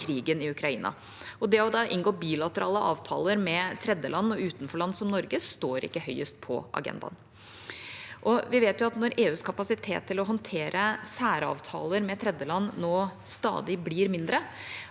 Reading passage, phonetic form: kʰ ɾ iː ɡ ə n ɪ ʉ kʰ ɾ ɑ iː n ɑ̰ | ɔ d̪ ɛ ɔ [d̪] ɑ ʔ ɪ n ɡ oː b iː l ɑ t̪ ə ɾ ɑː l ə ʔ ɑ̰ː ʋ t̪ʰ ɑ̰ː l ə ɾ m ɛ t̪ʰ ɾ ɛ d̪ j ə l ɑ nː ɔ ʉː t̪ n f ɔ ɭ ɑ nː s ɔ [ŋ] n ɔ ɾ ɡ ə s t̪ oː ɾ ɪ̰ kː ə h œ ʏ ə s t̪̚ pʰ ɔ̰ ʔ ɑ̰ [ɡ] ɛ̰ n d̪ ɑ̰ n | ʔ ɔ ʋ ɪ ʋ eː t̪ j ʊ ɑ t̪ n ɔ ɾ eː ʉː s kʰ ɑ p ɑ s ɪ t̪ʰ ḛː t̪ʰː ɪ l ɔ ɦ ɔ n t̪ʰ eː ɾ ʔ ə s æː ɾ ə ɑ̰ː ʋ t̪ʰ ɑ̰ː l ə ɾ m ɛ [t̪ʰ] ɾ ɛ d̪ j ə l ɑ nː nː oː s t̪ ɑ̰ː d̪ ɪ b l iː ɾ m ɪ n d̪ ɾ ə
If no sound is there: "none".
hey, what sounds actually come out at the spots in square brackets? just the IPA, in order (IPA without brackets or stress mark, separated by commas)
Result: d̪, m, ɡ, t̪ʰ